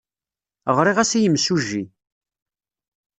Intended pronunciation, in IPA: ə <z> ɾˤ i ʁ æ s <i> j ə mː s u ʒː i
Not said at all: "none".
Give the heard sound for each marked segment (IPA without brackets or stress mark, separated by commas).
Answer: ʁ, i